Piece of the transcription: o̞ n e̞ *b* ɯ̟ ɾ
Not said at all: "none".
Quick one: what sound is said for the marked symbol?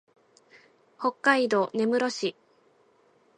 m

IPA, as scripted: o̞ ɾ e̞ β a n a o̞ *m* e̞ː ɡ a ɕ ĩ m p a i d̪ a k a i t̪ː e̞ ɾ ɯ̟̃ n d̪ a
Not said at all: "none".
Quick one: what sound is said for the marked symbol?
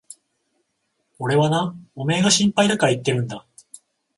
m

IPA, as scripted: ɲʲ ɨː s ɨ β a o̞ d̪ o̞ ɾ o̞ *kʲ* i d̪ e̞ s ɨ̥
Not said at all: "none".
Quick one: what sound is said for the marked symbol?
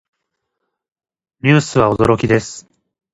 kʲ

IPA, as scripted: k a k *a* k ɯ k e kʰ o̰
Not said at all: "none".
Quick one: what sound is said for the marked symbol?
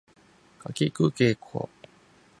i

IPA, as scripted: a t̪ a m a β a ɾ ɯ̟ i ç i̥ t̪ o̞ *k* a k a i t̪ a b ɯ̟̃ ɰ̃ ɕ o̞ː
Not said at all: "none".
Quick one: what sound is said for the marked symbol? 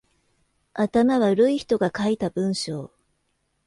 ɡ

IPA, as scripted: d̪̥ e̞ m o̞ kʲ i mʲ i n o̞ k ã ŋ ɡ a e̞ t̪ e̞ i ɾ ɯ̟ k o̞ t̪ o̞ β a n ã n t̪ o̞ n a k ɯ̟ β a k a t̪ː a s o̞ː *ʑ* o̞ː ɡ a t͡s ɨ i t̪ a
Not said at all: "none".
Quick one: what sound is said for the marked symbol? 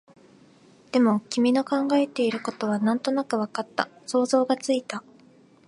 z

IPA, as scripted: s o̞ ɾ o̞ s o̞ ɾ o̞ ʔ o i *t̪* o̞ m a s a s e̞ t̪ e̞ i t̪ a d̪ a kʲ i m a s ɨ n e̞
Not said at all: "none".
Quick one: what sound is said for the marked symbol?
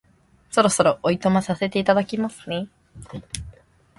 t̪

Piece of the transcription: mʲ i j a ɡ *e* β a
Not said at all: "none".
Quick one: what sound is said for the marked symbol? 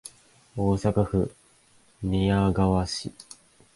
a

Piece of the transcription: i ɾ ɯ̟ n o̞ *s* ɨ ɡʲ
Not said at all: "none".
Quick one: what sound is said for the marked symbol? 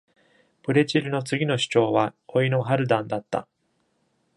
t͡s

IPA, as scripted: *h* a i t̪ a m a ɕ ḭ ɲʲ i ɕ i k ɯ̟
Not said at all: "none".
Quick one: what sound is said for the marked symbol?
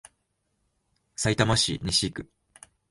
s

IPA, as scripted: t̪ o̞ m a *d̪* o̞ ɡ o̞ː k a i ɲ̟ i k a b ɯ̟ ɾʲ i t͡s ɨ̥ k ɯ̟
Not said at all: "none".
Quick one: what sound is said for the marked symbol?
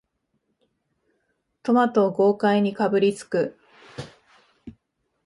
t̪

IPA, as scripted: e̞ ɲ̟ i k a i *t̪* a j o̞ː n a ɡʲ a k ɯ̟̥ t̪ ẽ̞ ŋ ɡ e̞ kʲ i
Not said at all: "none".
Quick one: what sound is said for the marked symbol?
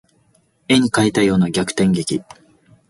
t̪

